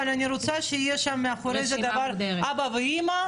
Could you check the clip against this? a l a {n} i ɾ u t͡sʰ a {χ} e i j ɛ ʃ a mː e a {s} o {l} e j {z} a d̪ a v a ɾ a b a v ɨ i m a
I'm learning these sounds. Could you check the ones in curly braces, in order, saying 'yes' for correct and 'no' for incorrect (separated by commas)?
yes, no, no, no, yes